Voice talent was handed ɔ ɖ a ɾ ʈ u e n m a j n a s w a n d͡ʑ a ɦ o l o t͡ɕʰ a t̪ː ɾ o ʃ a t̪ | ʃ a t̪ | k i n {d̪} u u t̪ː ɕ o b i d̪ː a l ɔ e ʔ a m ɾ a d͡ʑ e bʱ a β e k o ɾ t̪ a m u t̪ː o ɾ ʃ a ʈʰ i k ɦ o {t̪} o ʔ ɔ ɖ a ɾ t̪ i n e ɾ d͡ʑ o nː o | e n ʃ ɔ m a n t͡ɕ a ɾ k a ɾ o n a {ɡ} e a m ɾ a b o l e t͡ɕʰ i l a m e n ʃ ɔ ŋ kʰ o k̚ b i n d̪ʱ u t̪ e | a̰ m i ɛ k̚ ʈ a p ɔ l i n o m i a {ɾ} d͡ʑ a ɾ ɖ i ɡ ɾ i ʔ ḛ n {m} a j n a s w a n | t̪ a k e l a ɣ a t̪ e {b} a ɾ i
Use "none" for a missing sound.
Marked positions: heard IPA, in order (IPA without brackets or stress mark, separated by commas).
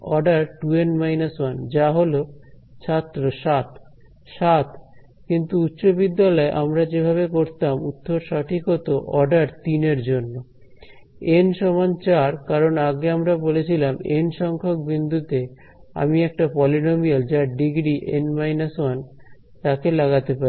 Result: t̪, t̪, ɡ, l, m, p